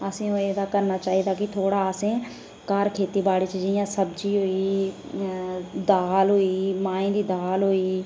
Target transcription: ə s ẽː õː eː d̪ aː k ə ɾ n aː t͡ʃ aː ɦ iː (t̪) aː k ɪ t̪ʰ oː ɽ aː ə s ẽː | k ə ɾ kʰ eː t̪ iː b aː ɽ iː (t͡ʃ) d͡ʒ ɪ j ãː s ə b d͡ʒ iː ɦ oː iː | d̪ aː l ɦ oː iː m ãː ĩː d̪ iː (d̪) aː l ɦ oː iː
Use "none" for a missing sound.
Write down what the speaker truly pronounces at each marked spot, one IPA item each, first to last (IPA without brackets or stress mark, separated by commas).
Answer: d̪, t͡ʃ, d̪